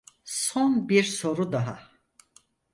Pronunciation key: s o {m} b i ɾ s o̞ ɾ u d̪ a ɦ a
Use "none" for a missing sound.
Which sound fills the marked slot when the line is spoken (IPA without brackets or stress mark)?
n